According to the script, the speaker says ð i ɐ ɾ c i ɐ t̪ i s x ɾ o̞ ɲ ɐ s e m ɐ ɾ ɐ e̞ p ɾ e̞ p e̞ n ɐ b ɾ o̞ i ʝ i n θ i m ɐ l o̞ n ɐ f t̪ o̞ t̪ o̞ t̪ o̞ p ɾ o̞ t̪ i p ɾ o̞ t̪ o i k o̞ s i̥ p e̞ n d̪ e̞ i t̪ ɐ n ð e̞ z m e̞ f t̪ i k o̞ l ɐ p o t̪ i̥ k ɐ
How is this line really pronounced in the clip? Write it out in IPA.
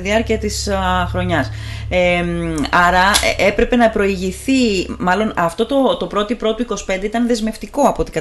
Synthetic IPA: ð i ɐ ɾ c i ɐ t̪ i s x ɾ o̞ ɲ ɐ s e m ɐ ɾ ɐ e̞ p ɾ e̞ p e̞ n ɐ p ɾ o̞ i ʝ i θ i m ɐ l o̞ n ɐ f t̪ o̞ t̪ o̞ t̪ o̞ p ɾ o̞ t̪ i p ɾ o̞ t̪ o i k o̞ s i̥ p e̞ n d̪ e̞ i t̪ ɐ n ð e̞ z m e̞ f t̪ i k o̞ ɐ p o t̪ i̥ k ɐ